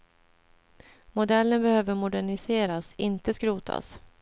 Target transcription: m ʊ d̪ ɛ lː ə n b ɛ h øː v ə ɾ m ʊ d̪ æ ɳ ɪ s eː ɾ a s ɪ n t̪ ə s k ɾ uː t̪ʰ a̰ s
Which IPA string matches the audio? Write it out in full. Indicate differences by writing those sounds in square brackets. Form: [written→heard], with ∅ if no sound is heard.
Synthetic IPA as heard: m ʊ d̪ ɛ lː ə n b ɛ h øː v ə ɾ m ʊ d̪ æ ɳ ɪ s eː ɾ a s ɪ n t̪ ə s k ɾ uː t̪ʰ a̰ s